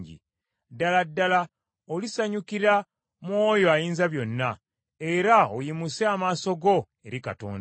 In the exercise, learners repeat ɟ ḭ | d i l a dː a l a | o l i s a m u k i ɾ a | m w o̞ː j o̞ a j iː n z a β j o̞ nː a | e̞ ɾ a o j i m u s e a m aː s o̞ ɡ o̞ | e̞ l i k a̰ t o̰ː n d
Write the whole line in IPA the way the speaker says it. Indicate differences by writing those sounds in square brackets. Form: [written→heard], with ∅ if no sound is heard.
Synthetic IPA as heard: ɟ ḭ | d [i→a] l a dː a l a | o l i s a [m→ɲ] u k i ɾ a | m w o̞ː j o̞ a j iː n z a β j o̞ nː a | e̞ ɾ a o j i m u s e a m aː s o̞ ɡ o̞ | e̞ [l→ɾ] i k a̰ t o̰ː n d